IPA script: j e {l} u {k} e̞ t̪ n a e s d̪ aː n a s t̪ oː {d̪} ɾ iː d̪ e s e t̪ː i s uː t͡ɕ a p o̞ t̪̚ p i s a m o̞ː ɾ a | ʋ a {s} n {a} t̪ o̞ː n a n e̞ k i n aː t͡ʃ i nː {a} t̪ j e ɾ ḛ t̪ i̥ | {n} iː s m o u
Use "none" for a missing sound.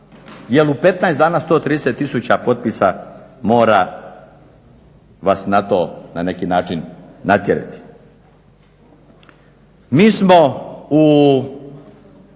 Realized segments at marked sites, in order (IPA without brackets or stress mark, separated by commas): l, p, t̪, s, a, a, m